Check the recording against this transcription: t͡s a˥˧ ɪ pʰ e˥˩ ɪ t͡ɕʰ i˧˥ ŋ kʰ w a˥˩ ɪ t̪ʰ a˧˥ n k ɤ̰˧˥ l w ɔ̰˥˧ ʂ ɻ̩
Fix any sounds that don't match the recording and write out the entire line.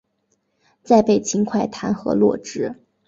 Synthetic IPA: t͡s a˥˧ ɪ p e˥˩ ɪ t͡ɕʰ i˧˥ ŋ kʰ w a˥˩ ɪ t̪ʰ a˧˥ n x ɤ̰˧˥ l w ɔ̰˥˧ ʈ͡ʂ ɻ̩